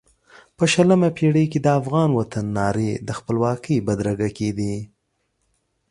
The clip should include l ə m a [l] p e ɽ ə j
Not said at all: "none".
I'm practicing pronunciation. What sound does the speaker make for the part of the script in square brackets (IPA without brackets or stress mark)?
none